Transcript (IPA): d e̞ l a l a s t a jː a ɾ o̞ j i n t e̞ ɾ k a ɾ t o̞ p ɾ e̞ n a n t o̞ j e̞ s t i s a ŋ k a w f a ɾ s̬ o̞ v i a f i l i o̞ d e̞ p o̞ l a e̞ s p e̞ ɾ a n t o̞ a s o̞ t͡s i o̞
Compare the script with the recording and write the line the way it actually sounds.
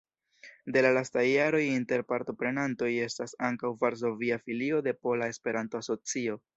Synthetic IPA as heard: d e̞ l a l a s t a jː a ɾ o̞ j i n t e̞ ɾ p a ɾ t o̞ p ɾ e̞ n a n t o̞ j e̞ s t a s a ŋ k a w v a ɾ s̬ o̞ v i a f i l i o̞ d e̞ p o̞ l a e̞ s p e̞ ɾ a n t o̞ a s o̞ t͡s i o̞